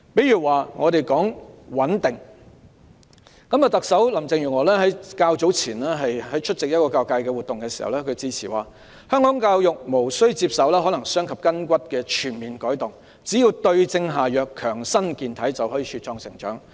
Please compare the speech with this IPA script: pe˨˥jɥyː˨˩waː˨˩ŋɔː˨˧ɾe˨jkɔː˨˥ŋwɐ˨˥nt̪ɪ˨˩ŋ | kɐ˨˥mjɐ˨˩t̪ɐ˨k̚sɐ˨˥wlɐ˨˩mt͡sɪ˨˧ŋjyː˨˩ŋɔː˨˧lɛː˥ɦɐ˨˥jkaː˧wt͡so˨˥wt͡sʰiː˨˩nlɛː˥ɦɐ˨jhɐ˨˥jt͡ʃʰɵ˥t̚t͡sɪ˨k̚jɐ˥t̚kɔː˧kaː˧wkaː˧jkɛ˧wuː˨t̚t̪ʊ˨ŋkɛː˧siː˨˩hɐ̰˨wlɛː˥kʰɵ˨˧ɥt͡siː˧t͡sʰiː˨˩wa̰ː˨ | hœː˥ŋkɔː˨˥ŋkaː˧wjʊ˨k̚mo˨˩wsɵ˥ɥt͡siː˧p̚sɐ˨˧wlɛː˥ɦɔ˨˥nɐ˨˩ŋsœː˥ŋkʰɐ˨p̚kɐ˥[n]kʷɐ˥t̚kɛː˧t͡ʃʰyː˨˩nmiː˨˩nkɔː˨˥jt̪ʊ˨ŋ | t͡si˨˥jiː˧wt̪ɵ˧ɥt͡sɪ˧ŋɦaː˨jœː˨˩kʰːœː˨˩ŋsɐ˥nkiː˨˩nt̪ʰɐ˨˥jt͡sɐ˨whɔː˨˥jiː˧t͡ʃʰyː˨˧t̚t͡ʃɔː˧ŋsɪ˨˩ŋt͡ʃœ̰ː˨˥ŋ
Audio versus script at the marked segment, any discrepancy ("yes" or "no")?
no